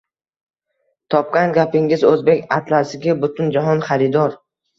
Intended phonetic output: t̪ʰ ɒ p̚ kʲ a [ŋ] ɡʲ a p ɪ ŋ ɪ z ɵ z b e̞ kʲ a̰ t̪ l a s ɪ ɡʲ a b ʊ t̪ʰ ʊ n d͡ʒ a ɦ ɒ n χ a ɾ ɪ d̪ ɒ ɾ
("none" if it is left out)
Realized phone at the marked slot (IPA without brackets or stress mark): n